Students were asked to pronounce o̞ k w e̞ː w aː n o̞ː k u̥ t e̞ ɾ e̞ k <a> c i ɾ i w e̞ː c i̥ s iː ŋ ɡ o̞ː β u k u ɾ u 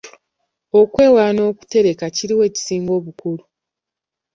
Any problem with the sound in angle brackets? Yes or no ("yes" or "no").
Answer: no